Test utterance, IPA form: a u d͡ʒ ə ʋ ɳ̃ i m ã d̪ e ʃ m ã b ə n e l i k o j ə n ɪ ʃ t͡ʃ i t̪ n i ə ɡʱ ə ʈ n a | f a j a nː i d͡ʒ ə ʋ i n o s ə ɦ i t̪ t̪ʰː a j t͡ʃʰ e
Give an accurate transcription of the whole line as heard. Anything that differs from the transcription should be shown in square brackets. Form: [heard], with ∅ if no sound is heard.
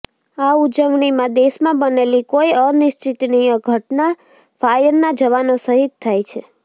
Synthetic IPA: a u d͡ʒ ə ʋ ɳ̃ i m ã d̪ e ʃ m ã b ə n e l i k o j ə n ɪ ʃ t͡ʃ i t̪ n i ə ɡʱ ə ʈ n a | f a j [ə] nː [a] d͡ʒ ə ʋ [a] n o s ə ɦ i t̪ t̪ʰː a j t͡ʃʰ e

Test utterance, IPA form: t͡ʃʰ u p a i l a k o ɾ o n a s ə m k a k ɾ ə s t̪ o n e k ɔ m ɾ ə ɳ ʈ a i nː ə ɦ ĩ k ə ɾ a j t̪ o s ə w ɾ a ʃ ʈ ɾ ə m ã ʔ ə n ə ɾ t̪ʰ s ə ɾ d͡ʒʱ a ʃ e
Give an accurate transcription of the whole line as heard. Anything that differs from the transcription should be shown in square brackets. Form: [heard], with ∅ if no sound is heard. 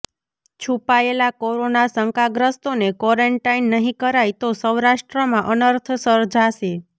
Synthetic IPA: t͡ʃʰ u p a [e] l a k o ɾ o n a s ə [ŋ] k a [ɡ] ɾ ə s t̪ o n e k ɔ [∅] ɾ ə ɳ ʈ a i nː ə ɦ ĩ k ə ɾ a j t̪ o s ə w ɾ a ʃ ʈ ɾ ə m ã ʔ ə n ə ɾ t̪ʰ s ə ɾ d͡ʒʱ a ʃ e

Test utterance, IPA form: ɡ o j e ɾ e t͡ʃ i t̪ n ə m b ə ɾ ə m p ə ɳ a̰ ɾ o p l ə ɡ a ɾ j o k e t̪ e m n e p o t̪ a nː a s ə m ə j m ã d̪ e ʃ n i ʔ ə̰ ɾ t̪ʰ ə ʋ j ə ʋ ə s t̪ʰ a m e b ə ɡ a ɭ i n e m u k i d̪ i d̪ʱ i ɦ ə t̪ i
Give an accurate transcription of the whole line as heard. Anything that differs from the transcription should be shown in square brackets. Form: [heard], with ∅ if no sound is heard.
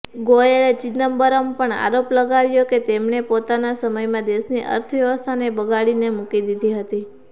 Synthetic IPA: ɡ o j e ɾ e t͡ʃ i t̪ n ə m b ə ɾ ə m p ə ɳ a̰ ɾ o p l ə ɡ a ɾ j o k e t̪ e m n e p o t̪ a [n] a s ə m ə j m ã d̪ e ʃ n i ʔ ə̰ ɾ t̪ʰ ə ʋ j ə ʋ ə s t̪ʰ a [n] e b ə ɡ a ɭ i n e m u k i d̪ i d̪ʱ i ɦ ə t̪ i

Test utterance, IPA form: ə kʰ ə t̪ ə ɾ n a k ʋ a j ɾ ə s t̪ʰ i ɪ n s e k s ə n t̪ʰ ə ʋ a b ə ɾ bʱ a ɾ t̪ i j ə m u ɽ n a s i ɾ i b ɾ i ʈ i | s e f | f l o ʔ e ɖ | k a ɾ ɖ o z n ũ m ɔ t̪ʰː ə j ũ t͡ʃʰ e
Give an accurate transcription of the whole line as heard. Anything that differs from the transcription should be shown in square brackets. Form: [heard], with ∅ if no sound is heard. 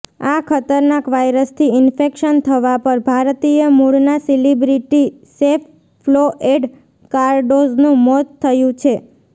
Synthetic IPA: [a] kʰ ə t̪ ə ɾ n a k ʋ a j ɾ ə s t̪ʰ i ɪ n [f] e k [ʃ] ə n t̪ʰ ə ʋ a [p] ə ɾ bʱ a ɾ t̪ i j ə m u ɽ n a s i [l] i b ɾ i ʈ i | s e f | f l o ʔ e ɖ | k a ɾ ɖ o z n ũ m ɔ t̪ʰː ə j ũ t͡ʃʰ e

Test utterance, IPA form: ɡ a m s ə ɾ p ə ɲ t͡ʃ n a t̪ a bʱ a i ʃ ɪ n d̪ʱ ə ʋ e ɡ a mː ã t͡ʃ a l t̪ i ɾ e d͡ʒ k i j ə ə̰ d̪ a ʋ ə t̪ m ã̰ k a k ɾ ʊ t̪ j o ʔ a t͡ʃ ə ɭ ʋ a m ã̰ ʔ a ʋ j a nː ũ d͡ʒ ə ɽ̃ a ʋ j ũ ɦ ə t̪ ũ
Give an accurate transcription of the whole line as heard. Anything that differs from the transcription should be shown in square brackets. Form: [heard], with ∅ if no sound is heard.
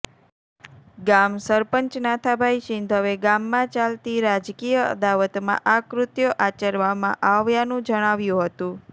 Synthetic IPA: ɡ a m s ə ɾ p ə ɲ t͡ʃ n a [t̪ʰ] a bʱ a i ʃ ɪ n d̪ʱ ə ʋ e ɡ a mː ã t͡ʃ a l t̪ i ɾ [a] d͡ʒ k i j ə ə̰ d̪ a ʋ ə t̪ m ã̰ [ʔ] a k ɾ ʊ t̪ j o ʔ a t͡ʃ ə [ɾ] ʋ a m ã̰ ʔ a ʋ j a [n] ũ d͡ʒ ə ɽ̃ a ʋ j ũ ɦ ə t̪ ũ

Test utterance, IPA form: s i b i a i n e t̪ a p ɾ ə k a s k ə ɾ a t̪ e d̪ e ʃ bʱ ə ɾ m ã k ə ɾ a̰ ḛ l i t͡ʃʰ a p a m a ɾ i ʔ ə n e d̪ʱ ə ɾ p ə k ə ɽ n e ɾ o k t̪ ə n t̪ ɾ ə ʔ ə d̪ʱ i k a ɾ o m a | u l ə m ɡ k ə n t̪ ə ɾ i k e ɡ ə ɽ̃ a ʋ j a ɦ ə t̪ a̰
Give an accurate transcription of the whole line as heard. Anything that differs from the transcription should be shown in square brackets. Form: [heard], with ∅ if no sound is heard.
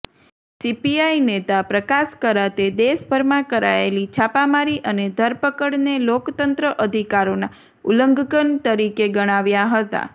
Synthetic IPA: s i [p] i a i n e t̪ a p ɾ ə k a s k ə ɾ a t̪ e d̪ e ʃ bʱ ə ɾ m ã k ə ɾ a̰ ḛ l i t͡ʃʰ a p a m a ɾ i ʔ ə n e d̪ʱ ə ɾ p ə k ə ɽ n e [l] o k t̪ ə n t̪ ɾ ə ʔ ə d̪ʱ i k a ɾ o [n] a | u l ə [ŋ] ɡ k ə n t̪ ə ɾ i k e ɡ ə ɽ̃ a ʋ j a ɦ ə t̪ a̰

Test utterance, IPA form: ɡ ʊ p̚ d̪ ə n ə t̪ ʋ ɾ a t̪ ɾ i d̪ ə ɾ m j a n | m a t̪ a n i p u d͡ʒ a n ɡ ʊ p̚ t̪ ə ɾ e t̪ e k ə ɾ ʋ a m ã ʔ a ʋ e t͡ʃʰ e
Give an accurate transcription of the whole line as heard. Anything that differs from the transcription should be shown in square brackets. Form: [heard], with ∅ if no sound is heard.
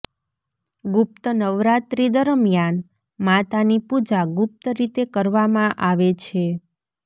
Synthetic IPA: ɡ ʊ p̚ [t̪] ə n ə [∅] ʋ ɾ a t̪ ɾ i d̪ ə ɾ m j a n | m a t̪ a n i p u d͡ʒ a [∅] ɡ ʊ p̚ t̪ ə ɾ [i] t̪ e k ə ɾ ʋ a m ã ʔ a ʋ e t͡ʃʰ e

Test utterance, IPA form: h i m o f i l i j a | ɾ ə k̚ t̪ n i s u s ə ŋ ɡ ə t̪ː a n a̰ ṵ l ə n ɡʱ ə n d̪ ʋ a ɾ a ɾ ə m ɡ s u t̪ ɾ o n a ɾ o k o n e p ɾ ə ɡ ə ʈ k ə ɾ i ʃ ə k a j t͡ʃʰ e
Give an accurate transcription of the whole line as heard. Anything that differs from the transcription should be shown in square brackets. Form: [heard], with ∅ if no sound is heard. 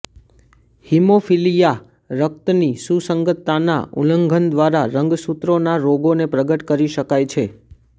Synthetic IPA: h i m o f i l i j a | ɾ ə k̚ t̪ n i s u s ə ŋ ɡ ə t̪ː a n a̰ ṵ l ə [ŋ] ɡʱ ə n d̪ ʋ a ɾ a ɾ ə [ŋ] ɡ s u t̪ ɾ o n a ɾ o [ɡ] o n e p ɾ ə ɡ ə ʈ k ə ɾ i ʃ ə k a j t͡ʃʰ e

